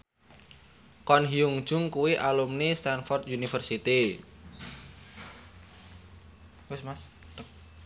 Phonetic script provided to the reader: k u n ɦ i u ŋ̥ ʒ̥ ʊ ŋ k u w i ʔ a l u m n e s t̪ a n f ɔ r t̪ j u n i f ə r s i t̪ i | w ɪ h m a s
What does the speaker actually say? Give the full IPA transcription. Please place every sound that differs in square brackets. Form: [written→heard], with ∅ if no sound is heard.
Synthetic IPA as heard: k [u→ɔ] n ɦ i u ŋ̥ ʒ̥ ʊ ŋ k u w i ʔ a l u m n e s t̪ a n f ɔ r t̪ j u n i f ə r s i t̪ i | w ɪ [h→s] m a s